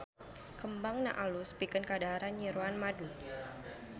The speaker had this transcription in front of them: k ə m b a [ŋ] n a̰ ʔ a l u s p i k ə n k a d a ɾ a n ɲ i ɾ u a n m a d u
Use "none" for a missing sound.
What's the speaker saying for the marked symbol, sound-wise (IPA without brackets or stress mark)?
ŋ